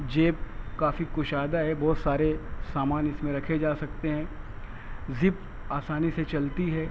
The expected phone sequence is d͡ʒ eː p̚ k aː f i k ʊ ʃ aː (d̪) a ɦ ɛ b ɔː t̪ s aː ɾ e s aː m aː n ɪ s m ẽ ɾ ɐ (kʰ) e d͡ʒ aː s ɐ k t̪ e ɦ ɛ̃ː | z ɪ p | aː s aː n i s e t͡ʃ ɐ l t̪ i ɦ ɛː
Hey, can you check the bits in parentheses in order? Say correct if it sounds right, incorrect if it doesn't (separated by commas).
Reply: correct, correct